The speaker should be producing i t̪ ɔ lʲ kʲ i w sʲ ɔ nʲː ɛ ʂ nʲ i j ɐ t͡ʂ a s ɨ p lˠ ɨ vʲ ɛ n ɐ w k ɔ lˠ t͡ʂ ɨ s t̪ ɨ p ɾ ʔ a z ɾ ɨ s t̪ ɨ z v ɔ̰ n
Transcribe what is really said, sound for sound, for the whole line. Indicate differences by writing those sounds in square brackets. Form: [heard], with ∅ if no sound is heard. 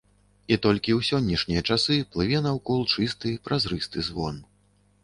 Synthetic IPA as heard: i t̪ ɔ lʲ kʲ i w sʲ ɔ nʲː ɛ ʂ nʲ i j ɐ t͡ʂ a s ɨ p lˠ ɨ vʲ ɛ n ɐ w k ɔ lˠ t͡ʂ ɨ s t̪ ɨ p ɾ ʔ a z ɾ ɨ s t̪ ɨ z v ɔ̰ n